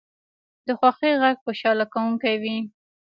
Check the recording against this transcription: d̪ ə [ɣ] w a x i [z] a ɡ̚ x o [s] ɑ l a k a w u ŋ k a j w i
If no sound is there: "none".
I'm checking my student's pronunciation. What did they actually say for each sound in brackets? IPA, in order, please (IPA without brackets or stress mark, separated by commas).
x, ɣ, ʃ